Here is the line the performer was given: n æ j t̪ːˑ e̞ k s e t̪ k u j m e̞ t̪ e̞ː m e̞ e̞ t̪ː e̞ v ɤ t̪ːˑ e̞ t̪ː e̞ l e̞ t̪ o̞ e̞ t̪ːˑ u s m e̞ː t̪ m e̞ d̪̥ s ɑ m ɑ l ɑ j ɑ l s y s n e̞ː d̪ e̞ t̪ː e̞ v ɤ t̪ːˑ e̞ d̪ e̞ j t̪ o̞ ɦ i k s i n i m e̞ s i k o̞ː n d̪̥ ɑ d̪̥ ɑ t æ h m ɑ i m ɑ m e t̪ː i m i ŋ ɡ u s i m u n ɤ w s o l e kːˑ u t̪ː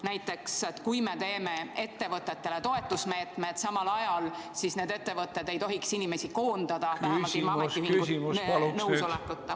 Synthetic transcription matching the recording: n æ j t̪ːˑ e̞ k s e t̪ k u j m e̞ t̪ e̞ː m e̞ e̞ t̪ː e̞ v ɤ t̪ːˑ e̞ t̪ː e̞ l e̞ t̪ o̞ e̞ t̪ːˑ u s m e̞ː t̪ m e̞ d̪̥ s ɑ m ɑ l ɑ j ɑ l s i s n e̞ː d̪ e̞ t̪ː e̞ v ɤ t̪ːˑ e̞ d̪ e̞ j t̪ o̞ ɦ i k s i n i m e̞ s i k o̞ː n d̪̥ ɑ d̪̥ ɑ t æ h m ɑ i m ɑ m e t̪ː i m i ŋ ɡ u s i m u n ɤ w s o l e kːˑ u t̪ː